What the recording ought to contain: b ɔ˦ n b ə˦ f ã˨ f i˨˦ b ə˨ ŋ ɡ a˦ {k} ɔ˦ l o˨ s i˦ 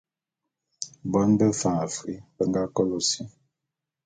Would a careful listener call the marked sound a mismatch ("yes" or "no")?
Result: no